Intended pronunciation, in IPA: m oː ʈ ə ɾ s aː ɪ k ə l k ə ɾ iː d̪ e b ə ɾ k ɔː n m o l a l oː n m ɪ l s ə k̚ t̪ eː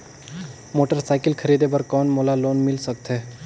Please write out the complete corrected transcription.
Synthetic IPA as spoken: m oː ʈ ə ɾ s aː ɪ k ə l kʰ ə ɾ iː d̪ e b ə ɾ k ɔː n m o l a l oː n m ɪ l s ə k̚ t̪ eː